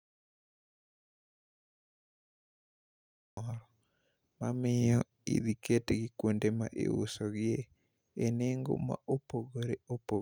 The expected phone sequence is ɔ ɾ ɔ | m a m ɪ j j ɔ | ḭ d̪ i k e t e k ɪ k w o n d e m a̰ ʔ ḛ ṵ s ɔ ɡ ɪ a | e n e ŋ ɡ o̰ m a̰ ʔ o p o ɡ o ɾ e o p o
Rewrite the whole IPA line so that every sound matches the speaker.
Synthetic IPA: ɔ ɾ ɔ | m a m ɪ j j ɔ | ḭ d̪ i k e t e ɡ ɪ k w o n d e m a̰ ʔ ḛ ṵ s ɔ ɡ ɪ e | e n e ŋ ɡ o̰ m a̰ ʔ o p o ɡ o ɾ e o p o